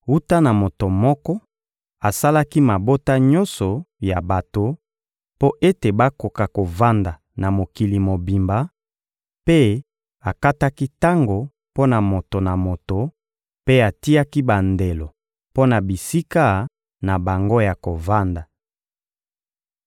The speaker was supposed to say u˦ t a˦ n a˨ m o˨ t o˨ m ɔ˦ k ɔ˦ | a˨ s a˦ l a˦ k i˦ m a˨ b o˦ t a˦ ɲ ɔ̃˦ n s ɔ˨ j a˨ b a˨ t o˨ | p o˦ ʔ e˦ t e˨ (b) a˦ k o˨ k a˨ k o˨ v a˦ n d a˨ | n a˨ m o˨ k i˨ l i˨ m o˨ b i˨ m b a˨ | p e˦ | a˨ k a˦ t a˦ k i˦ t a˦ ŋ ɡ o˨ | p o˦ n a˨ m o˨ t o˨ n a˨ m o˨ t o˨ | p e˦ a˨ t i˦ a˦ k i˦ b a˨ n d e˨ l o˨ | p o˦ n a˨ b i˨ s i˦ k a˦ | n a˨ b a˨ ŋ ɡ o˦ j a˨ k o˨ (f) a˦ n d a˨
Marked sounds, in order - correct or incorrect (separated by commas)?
correct, incorrect